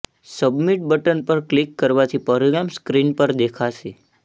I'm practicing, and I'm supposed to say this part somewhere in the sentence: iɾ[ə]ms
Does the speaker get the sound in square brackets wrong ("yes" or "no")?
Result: yes